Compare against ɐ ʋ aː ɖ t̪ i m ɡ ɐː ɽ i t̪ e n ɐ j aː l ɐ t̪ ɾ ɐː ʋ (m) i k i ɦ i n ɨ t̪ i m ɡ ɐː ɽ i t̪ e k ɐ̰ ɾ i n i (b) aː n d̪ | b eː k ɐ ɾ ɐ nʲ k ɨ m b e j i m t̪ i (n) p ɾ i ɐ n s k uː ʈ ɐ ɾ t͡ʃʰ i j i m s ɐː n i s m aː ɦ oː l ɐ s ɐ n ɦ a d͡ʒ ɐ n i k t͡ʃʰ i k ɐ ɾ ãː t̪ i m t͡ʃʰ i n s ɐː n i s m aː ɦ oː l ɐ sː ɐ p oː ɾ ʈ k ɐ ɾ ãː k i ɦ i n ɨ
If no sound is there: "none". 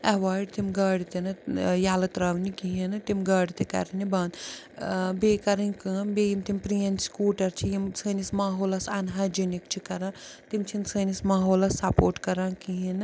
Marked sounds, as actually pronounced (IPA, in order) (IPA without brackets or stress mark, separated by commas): n, b, m